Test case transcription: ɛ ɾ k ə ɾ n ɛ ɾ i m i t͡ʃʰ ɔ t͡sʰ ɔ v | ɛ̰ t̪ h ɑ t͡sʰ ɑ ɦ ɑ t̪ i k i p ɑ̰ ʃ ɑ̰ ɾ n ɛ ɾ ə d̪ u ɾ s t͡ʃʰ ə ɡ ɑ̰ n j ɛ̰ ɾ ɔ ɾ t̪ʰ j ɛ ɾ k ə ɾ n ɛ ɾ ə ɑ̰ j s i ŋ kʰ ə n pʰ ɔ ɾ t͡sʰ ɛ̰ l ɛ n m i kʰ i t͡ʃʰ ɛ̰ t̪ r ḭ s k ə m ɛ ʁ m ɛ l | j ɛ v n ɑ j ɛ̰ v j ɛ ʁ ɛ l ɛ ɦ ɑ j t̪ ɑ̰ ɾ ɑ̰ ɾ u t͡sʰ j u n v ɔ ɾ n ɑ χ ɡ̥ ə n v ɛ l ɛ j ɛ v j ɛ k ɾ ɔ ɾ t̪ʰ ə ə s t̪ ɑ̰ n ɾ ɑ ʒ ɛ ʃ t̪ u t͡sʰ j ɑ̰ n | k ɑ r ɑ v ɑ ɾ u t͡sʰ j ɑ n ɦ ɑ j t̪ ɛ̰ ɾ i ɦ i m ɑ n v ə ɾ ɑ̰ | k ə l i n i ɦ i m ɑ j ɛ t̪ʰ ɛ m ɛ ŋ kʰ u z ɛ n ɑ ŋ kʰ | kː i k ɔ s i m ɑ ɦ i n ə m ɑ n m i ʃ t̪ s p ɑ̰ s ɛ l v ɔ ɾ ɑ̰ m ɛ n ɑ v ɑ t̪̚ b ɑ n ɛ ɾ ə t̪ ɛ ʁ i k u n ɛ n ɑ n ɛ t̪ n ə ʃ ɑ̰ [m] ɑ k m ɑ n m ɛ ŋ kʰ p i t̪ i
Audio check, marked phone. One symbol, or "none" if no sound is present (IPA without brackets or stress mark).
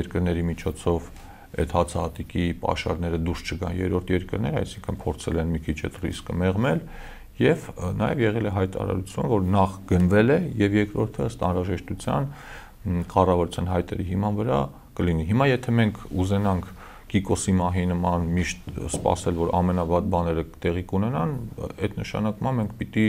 n